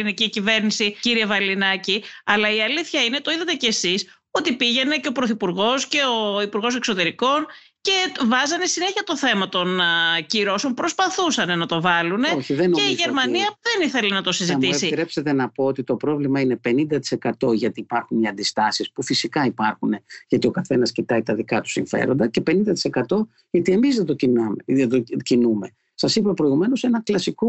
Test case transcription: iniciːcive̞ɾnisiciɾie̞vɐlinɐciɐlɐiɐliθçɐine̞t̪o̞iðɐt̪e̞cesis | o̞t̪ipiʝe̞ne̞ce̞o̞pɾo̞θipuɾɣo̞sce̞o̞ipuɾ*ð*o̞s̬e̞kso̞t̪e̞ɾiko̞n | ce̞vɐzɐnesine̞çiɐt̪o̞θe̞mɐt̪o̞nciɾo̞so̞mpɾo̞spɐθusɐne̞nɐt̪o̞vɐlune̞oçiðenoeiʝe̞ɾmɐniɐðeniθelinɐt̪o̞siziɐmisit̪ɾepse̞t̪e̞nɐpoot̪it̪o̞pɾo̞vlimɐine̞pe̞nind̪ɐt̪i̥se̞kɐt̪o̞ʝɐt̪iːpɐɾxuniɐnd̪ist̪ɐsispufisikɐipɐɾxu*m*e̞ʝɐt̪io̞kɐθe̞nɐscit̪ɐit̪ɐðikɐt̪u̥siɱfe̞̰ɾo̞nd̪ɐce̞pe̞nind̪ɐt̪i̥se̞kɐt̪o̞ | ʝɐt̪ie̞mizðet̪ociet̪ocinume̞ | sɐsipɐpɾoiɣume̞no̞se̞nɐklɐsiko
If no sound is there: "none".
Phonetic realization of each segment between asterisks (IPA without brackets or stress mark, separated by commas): ɣ, n